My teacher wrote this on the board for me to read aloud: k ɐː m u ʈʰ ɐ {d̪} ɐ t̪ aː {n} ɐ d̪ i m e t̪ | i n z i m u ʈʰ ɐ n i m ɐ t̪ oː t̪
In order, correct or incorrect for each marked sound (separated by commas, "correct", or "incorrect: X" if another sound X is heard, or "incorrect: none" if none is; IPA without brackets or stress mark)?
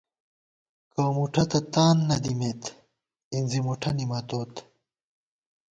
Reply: incorrect: t̪, incorrect: nː